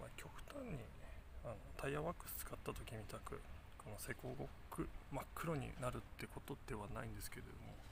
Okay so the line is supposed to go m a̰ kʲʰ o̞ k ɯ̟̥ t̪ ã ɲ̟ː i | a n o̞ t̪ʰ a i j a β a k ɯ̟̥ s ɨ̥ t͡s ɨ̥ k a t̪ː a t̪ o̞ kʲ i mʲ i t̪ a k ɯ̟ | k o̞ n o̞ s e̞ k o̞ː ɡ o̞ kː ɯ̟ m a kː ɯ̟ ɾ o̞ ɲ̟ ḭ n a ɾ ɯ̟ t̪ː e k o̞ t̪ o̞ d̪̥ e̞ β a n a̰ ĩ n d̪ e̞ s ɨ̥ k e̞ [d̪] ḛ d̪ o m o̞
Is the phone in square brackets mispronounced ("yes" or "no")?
no